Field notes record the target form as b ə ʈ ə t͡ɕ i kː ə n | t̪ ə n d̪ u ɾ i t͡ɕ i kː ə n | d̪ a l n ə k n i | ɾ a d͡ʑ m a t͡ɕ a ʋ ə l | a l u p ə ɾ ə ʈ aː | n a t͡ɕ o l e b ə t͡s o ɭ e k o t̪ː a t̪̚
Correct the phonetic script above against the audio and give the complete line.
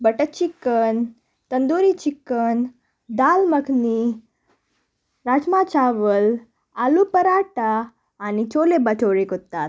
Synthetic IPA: b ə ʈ ə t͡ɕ i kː ə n | t̪ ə n d̪ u ɾ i t͡ɕ i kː ə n | d̪ a l m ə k n i | ɾ a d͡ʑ m a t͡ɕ a ʋ ə l | a l u p ə ɾ a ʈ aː | n i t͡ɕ o l e b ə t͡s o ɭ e k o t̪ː a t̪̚

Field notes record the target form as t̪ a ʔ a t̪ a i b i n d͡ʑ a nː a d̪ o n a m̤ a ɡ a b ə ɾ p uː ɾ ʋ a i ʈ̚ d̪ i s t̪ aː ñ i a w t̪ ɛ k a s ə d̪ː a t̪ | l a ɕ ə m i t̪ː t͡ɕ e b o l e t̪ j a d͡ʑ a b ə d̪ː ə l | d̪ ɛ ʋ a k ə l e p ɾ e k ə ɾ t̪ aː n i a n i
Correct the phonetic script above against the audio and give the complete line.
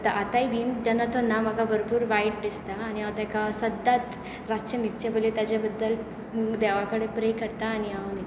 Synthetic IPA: t̪ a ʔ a t̪ a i b i n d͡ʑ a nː a t̪ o n a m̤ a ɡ a b ə ɾ p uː ɾ ʋ a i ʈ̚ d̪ i s t̪ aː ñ i a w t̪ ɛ k a s ə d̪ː a t̪ | ɾ a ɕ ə m i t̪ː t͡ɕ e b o l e t̪ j a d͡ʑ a b ə d̪ː ə l | d̪ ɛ ʋ a k ə ɽ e p ɾ e k ə ɾ t̪ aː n i a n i

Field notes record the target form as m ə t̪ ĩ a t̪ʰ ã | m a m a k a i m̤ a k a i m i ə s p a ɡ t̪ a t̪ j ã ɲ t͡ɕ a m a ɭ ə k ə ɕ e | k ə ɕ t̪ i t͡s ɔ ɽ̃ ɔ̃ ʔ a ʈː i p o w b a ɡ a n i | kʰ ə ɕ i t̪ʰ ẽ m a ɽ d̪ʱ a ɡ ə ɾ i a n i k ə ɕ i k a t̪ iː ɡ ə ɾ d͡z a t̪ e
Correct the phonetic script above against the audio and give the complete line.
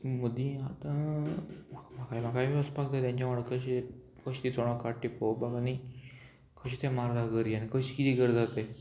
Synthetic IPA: m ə d̪ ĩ a t̪ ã | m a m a k a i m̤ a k a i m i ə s p a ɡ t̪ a t̪ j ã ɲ t͡ɕ a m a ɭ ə k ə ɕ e | k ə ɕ t̪ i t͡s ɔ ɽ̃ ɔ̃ k a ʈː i p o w b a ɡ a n i | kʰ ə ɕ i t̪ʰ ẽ m a ɾ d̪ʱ a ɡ ə ɾ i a n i k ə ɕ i k i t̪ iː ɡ ə ɾ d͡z a t̪ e

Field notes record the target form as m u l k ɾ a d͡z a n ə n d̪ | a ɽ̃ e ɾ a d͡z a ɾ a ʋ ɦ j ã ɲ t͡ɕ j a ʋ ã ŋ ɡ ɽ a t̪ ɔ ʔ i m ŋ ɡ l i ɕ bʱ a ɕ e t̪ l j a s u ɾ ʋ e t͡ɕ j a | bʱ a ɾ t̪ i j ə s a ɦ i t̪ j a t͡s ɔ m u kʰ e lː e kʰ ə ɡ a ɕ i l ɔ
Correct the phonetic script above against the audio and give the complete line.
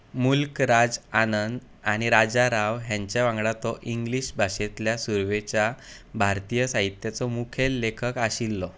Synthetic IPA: m u l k ɾ a d͡z a n ə n d̪ | a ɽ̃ i ɾ a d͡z a ɾ a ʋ ɦ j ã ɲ t͡ɕ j a ʋ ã ŋ ɡ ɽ a t̪ ɔ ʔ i ŋ ɡ l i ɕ bʱ a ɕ e t̪ l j a s u ɾ ʋ e t͡ɕ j a | bʱ a ɾ t̪ i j ə s a ɦ i t̪ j a t͡s ɔ m u kʰ e lː e kʰ ə k a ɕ i lː ɔ

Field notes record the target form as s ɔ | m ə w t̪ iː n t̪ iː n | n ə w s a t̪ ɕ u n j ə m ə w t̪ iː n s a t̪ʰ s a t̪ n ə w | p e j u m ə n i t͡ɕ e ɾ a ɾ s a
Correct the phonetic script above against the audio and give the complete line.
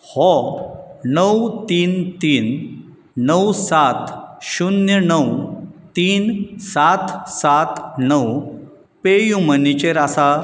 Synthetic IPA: h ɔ | n ə w t̪ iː n t̪ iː n | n ə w s a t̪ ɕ u n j ə n ə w t̪ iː n s a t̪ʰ s a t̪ n ə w | p e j u m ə n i t͡ɕ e ɾ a s a

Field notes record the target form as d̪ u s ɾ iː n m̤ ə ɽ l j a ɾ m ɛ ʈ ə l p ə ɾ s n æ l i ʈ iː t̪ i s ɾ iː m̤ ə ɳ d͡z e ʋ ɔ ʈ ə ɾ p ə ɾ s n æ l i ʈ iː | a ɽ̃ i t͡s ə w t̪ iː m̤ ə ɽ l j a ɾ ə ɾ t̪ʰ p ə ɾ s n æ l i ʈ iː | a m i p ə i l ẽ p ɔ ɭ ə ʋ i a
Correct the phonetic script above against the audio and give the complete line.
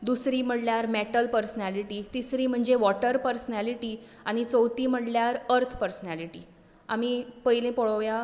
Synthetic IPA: d̪ u s ɾ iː m̤ ə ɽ l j a ɾ m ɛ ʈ ə l p ə ɾ s n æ l i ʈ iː t̪ i s ɾ iː m̤ ə ɳ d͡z e ʋ ɔ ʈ ə ɾ p ə ɾ s n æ l i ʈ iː | a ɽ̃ i t͡s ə w t̪ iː m̤ ə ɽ l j a ɾ ə ɾ t̪ʰ p ə ɾ s n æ l i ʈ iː | a m i p ə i l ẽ p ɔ ɭ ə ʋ j a

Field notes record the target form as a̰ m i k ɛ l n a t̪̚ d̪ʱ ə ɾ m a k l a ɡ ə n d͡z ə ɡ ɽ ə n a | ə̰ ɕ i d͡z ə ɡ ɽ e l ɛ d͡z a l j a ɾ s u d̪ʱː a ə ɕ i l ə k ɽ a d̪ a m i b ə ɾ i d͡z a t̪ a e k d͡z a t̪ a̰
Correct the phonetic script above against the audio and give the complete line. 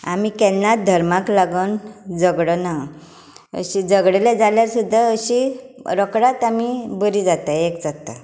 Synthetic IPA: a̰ m i k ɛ l n a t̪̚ d̪ʱ ə ɾ m a k l a ɡ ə n d͡z ə ɡ ɽ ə n a | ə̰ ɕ i d͡z ə ɡ ɽ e l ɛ d͡z a l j a ɾ s u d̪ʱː a ə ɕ i ɾ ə k ɽ a t̪ a m i b ə ɾ i d͡z a t̪ a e k d͡z a t̪ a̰

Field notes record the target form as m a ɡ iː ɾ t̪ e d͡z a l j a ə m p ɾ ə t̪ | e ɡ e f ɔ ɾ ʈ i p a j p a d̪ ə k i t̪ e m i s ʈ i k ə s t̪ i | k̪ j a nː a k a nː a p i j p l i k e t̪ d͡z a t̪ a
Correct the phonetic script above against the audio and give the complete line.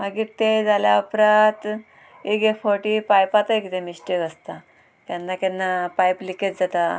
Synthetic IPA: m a ɡ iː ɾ t̪ e d͡z a l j a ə p ɾ a t̪ | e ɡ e f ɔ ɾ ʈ i p a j p a t̪ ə k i t̪ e m i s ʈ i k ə s t̪ a | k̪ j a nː a k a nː a p a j p l i k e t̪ d͡z a t̪ a

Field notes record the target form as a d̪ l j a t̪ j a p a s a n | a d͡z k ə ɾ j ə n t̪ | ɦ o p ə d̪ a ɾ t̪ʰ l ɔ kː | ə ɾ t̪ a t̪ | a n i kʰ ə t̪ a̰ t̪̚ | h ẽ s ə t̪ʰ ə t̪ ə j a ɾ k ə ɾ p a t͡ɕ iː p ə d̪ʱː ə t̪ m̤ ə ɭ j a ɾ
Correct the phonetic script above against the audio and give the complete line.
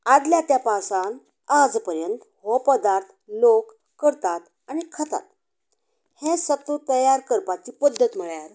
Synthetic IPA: a d̪ l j a t̪ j a p a s a n | a d͡z p ə ɾ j ə n t̪ | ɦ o p ə d̪ a ɾ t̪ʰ l o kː | ə ɾ t̪ a t̪ | a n i kʰ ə t̪ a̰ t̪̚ | h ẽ s ə t̪ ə t̪ ə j a ɾ k ə ɾ p a t͡ɕ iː p ə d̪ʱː ə t̪ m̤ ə ɭ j a ɾ

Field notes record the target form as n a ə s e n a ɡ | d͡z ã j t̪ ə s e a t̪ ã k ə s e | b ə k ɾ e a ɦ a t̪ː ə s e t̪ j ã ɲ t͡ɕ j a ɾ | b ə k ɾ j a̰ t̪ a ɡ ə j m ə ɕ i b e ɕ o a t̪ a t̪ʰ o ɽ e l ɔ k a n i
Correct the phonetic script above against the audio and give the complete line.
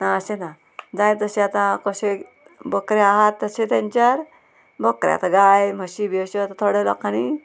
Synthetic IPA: n a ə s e n a | d͡z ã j t̪ ə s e a t̪ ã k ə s e | b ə k ɾ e a ɦ a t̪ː ə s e t̪ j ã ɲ t͡ɕ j a ɾ | b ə k ɾ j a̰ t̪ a ɡ a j m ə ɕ i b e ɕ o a t̪ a t̪ʰ o ɽ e l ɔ k a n i

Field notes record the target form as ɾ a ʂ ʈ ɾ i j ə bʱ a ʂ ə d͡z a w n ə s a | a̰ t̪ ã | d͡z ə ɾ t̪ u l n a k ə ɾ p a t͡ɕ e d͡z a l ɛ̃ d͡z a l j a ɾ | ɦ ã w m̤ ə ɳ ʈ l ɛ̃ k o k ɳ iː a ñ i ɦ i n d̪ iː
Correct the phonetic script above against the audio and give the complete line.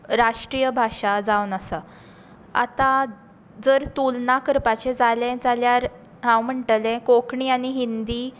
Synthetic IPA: ɾ a ʂ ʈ ɾ i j ə bʱ a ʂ a d͡z a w n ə s a | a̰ t̪ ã | d͡z ə ɾ t̪ u l n a k ə ɾ p a t͡ɕ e d͡z a l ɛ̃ d͡z a l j a ɾ | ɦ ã w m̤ ə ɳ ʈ l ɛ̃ k o k ɳ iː a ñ i ɦ i n d̪ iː

